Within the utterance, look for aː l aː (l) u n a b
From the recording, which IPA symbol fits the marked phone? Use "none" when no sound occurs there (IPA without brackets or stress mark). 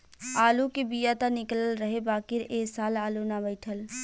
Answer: l